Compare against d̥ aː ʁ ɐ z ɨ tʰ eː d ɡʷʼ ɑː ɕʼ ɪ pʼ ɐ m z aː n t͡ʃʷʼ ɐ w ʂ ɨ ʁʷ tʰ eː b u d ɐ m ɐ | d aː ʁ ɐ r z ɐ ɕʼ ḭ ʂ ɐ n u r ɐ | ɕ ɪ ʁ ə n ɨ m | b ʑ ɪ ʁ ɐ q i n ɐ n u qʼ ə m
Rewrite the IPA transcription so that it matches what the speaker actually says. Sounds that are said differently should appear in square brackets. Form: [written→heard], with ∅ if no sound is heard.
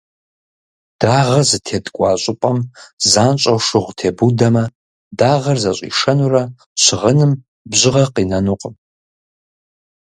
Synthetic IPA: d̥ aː ʁ ɐ z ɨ tʰ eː d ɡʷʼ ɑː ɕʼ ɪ pʼ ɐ m z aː n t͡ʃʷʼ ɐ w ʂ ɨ ʁʷ tʰ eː b u d ɐ m ɐ | d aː ʁ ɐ r z ɐ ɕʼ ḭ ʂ ɐ n u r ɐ | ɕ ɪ ʁ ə n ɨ m | b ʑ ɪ ʁ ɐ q i n ɐ n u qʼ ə m